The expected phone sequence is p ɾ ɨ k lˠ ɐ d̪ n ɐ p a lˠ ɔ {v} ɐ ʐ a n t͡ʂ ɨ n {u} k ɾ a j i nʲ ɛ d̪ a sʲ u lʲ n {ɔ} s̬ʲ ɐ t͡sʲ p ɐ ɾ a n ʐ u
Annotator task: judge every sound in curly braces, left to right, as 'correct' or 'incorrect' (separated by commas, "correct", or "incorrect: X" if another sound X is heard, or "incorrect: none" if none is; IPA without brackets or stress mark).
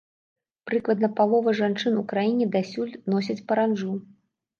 correct, correct, correct